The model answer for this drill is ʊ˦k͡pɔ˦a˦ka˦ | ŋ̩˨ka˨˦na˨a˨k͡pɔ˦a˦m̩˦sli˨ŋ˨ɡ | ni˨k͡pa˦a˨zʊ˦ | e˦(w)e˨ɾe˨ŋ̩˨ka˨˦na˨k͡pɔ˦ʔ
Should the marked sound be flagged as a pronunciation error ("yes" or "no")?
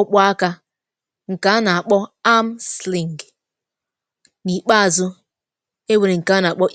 no